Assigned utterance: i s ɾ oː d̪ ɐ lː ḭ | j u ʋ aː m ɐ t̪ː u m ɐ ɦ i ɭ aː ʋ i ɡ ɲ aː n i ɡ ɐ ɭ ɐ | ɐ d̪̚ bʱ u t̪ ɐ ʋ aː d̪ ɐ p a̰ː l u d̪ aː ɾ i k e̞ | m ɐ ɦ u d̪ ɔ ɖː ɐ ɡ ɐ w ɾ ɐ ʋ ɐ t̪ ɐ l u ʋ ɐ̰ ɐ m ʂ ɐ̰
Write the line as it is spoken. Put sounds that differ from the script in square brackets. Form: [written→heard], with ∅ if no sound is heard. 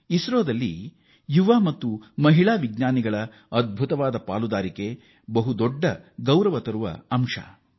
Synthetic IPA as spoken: i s ɾ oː d̪ ɐ lː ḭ | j u ʋ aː m ɐ t̪ː u m ɐ ɦ i ɭ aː ʋ i ɡ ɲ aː n i ɡ ɐ ɭ ɐ | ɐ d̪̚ bʱ u t̪ ɐ ʋ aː d̪ ɐ p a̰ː l u d̪ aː ɾ i k e̞ | [m→b] ɐ ɦ u d̪ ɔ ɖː ɐ ɡ ɐ w ɾ ɐ ʋ ɐ t̪ ɐ [l→ɾ] u ʋ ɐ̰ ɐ m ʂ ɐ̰